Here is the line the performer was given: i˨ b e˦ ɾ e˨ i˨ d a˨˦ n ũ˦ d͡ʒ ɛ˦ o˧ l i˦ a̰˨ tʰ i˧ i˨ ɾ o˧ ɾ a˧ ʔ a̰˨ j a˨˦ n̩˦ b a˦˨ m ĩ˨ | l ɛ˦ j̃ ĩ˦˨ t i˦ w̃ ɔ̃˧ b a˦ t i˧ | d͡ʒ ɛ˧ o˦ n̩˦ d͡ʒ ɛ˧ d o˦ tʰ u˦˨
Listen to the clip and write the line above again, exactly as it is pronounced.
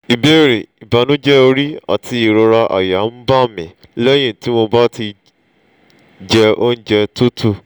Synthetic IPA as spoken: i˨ b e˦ ɾ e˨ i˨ b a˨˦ n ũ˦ d͡ʒ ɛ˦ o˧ ɾ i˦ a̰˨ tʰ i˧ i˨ ɾ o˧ ɾ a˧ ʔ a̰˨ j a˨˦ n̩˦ b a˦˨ m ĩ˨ | l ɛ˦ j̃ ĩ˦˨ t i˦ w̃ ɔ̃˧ b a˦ t i˧ | d͡ʒ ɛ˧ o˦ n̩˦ d͡ʒ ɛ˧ t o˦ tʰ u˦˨

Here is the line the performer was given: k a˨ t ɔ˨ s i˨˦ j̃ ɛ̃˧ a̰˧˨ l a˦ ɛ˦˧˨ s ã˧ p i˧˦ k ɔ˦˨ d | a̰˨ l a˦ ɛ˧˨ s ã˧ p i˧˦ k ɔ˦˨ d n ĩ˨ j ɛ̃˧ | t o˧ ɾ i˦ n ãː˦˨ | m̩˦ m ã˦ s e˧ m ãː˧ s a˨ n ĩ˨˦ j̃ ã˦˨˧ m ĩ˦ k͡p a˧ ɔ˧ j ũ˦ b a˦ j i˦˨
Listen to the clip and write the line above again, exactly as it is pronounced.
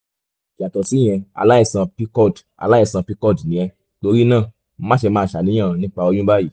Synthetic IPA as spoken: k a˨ t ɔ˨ s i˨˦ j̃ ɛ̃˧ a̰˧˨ l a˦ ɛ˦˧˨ s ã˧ p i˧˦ k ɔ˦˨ d | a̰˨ l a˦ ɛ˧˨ s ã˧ p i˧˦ k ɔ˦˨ d n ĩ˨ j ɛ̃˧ | t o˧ ɾ i˦ n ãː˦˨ | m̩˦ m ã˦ ʃ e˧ m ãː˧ ʃ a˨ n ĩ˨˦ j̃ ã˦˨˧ n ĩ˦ k͡p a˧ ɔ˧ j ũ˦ b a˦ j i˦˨

